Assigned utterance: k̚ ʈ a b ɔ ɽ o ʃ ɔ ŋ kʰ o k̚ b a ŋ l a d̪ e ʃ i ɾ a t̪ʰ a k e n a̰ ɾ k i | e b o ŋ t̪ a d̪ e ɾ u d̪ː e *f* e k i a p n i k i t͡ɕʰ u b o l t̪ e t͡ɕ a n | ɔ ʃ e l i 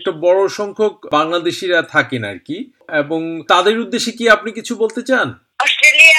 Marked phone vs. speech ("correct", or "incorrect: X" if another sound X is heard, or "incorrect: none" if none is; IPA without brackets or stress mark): incorrect: ʃ